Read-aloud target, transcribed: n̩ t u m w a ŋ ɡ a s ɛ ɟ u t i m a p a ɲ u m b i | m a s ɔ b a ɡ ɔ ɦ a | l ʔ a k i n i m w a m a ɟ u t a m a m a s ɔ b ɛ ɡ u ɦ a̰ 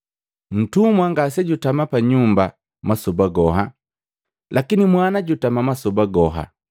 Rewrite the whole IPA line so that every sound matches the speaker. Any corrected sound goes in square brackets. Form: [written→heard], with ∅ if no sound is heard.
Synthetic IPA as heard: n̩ t u m w a ŋ ɡ a s ɛ ɟ u t [i→a] m a p a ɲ u m b [i→a] | m a s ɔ b a ɡ ɔ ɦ a | l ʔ a k i n i m w a [m→n] a ɟ u t a m a m a s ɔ b [ɛ→a] ɡ [u→ɔ] ɦ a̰

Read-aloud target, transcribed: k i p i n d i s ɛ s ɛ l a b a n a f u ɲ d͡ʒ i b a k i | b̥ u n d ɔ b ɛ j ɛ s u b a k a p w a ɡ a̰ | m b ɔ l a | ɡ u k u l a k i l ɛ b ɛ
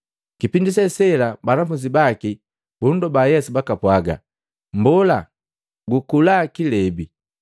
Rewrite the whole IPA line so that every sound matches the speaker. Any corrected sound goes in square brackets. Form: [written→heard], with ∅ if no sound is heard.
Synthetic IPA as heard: k i p i n d i s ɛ s ɛ l a b a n a f u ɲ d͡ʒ i b a k i | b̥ u n d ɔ b [ɛ→a] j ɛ s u b a k a p w a ɡ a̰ | m b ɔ l a | ɡ u k u l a k i l ɛ b [ɛ→i]

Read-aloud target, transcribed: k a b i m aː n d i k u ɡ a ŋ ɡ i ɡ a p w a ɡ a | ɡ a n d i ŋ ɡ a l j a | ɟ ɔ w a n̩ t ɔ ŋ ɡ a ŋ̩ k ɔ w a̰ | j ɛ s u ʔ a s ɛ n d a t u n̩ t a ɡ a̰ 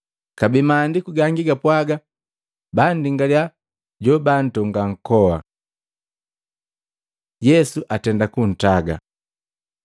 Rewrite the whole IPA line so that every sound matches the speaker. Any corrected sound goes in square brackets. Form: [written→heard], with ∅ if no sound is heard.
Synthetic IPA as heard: k a b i m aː n d i k u ɡ a ŋ ɡ i ɡ a p w a ɡ a | [ɡ→b] a n d i ŋ ɡ a l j a | ɟ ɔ [w→b] a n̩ t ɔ ŋ ɡ a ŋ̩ k ɔ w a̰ | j ɛ s u ʔ a [s→t] ɛ n d a [t→k] u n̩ t a ɡ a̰

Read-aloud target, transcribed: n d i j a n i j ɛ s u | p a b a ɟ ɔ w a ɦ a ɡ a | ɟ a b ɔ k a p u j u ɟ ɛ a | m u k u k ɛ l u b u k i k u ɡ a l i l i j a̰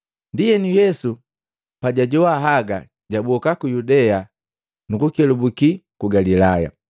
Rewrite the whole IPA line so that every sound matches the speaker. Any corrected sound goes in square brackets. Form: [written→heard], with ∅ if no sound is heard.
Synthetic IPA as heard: n d i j [a→ɛ] n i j ɛ s u | p a [b→ɟ] a ɟ ɔ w a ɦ a ɡ a | ɟ a b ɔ k a [p→k] u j u [ɟ→d] ɛ a | [m→n] u k u k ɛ l u b u k i k u ɡ a l i l [i→a] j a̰

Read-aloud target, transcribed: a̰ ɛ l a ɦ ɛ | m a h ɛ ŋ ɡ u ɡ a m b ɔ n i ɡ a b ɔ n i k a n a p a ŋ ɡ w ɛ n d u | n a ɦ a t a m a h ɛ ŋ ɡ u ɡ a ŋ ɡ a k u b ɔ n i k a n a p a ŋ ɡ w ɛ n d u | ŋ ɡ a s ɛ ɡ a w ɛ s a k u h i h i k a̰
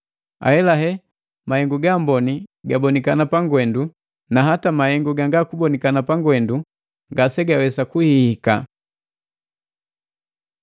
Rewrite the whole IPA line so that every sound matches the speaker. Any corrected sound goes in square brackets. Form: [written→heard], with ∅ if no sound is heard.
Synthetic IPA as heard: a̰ ɛ l a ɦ ɛ | m a h ɛ ŋ ɡ u ɡ a m b ɔ n i ɡ a b ɔ n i k a n a p a ŋ ɡ w ɛ n d u | n a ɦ a t a m a h ɛ ŋ ɡ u ɡ a ŋ ɡ a k u b ɔ n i k a n a p a ŋ ɡ w ɛ n d u | ŋ ɡ a s ɛ ɡ a w ɛ s a k u h i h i k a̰

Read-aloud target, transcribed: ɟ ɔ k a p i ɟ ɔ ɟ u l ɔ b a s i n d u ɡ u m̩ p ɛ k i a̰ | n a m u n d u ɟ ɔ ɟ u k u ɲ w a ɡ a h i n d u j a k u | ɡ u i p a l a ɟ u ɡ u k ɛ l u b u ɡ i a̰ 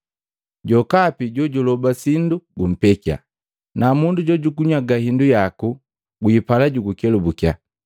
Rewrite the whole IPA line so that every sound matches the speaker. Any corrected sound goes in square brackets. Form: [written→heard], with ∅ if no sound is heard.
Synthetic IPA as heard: ɟ ɔ k a p i ɟ ɔ ɟ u l ɔ b a s i n d u ɡ u m̩ p ɛ k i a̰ | n a m u n d u ɟ ɔ ɟ u k u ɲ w a ɡ a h i n d u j a k u | ɡ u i p a l a ɟ u ɡ u k ɛ l u b u [ɡ→k] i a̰

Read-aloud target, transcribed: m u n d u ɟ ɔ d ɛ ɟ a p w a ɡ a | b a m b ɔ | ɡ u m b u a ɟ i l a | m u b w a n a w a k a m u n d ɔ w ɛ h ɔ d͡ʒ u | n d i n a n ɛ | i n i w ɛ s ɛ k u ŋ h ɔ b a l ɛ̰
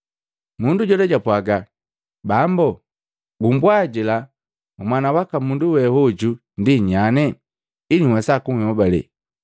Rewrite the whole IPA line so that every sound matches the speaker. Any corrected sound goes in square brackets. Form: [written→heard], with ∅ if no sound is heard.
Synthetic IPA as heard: m u n d u ɟ ɔ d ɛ ɟ a p w a ɡ a | b a m b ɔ | ɡ u m b [u→w] a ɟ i l a | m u [b→m] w a n a w a k a m u n d [ɔ→u] w ɛ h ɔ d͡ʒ u | n d i [n→ɲ] a n ɛ | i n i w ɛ s [ɛ→a] k u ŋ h ɔ b a l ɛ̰

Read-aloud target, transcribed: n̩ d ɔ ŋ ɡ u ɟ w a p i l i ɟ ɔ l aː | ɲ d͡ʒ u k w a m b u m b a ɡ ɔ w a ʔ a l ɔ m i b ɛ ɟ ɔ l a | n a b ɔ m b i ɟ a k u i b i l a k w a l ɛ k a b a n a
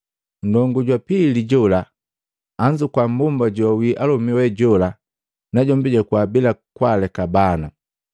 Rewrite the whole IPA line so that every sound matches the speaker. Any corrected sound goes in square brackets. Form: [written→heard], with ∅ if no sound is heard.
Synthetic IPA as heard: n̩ d ɔ ŋ ɡ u ɟ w a p i l i ɟ ɔ l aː | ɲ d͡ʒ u k w a m b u m b a [ɡ→ɟ] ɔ w [a→i] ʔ a l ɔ m i [b→w] ɛ ɟ ɔ l a | n a [b→ɟ] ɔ m b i ɟ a k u [i→a] b i l a k w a l ɛ k a b a n a

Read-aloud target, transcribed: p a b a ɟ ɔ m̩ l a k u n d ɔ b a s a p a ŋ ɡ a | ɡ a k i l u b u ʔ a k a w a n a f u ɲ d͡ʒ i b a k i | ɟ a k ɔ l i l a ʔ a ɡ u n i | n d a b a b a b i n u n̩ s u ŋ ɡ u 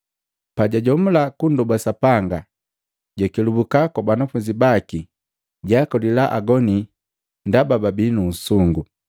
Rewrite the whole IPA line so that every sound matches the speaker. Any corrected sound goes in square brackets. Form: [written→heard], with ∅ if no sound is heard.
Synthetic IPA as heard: p a [b→ɟ] a ɟ ɔ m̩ l a k u n d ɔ b a s a p a ŋ ɡ a | [ɡ→ɟ] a k i l u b u [ʔ→k] a k a [w→b] a n a f u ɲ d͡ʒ i b a k i | ɟ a k ɔ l i l a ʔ a ɡ [u→ɔ] n i | n d a b a b a b i n u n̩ s u ŋ ɡ u

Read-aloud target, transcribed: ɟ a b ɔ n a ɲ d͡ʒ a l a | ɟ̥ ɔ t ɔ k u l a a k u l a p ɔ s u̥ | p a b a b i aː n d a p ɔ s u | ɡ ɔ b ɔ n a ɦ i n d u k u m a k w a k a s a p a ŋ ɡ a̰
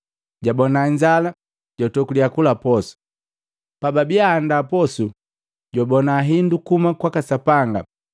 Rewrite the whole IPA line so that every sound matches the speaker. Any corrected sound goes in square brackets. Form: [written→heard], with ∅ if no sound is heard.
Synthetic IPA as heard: ɟ a b ɔ n a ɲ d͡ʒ a l a | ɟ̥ ɔ t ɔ k u l [a→i] a k u l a p ɔ s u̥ | p a b a b i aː n d a p ɔ s u | [ɡ→ɟ] ɔ b ɔ n a ɦ i n d u k u m a k w a k a s a p a ŋ ɡ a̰

